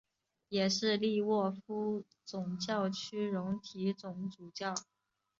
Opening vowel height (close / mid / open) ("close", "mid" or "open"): mid